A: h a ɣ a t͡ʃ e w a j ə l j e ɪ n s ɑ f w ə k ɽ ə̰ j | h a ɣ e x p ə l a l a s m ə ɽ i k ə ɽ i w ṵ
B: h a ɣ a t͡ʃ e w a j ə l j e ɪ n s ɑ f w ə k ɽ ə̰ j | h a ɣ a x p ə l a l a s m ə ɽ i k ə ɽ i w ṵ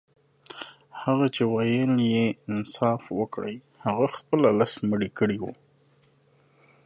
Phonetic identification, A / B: B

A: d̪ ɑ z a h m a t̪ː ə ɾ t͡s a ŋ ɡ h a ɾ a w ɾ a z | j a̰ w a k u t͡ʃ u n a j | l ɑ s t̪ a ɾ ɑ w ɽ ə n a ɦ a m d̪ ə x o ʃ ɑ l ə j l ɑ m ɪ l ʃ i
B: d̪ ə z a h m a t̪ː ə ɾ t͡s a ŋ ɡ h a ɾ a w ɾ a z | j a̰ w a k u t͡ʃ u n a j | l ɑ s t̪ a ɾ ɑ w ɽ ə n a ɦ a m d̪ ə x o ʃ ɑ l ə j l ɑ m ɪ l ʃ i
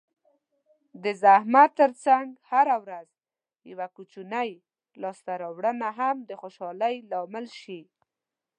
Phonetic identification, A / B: B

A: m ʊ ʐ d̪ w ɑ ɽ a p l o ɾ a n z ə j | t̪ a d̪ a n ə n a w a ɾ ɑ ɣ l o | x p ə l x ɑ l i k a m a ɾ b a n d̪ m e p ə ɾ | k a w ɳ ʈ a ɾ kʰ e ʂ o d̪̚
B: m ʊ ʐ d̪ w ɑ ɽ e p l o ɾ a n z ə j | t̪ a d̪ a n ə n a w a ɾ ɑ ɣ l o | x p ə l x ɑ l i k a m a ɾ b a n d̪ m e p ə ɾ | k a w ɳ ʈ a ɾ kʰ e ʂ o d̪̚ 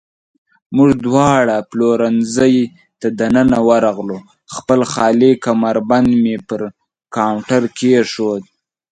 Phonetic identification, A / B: A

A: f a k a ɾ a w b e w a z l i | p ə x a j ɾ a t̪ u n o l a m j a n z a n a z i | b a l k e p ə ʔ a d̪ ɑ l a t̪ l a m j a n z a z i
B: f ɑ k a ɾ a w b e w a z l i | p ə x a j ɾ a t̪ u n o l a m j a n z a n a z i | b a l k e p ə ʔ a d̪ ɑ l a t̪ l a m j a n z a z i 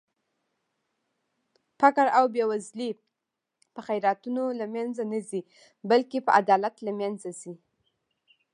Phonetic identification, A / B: A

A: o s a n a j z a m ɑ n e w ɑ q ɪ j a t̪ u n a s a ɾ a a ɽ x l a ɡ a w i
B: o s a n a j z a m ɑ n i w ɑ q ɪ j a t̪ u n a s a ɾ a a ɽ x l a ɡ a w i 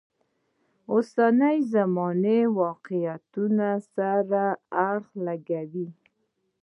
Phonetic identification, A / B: A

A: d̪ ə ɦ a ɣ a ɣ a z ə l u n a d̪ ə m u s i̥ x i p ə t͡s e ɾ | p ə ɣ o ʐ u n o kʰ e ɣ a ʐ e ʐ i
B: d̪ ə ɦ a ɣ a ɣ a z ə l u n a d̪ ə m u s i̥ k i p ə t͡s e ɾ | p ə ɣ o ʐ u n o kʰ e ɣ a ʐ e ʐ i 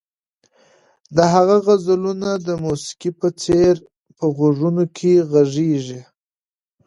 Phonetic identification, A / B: B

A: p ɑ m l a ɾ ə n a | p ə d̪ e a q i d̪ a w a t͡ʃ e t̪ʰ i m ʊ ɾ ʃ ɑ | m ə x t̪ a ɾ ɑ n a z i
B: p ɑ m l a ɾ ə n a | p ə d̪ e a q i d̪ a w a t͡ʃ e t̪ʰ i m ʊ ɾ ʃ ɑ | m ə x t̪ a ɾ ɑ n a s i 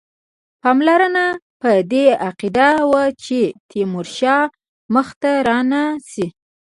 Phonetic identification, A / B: B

